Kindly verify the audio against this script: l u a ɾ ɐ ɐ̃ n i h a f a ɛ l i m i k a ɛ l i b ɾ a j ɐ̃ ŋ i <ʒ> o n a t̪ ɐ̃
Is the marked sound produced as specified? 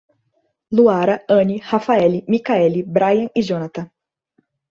yes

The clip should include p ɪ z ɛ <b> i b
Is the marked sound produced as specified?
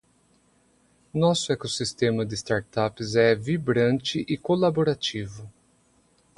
no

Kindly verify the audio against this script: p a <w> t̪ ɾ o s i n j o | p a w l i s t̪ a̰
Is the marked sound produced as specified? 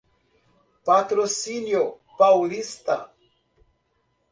no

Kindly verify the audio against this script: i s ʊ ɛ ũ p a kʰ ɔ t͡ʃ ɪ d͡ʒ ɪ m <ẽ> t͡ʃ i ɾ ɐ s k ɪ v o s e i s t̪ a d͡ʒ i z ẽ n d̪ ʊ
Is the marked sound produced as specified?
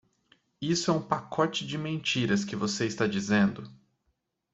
yes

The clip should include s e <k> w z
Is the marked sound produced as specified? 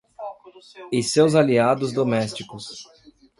no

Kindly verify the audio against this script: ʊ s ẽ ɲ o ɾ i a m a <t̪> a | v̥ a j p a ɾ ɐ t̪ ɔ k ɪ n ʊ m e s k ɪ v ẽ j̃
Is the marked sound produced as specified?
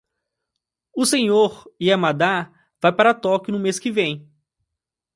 no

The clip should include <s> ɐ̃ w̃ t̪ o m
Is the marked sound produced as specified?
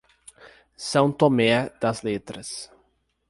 yes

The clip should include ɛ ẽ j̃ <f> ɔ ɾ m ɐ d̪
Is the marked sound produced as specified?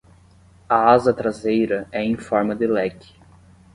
yes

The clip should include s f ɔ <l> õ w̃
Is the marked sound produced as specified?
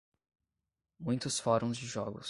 no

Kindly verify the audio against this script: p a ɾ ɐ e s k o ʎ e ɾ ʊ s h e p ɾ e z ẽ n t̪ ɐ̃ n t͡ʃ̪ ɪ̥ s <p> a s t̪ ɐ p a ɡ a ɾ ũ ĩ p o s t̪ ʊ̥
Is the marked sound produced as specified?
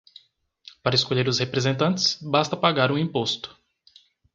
no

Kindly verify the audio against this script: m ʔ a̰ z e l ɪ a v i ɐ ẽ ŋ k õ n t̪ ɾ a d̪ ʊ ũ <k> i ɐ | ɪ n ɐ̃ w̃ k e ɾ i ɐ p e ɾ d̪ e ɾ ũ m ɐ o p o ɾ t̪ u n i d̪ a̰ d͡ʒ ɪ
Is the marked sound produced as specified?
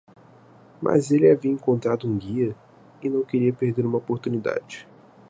no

